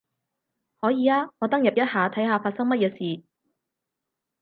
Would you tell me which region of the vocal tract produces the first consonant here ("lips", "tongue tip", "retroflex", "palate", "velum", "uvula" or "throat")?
throat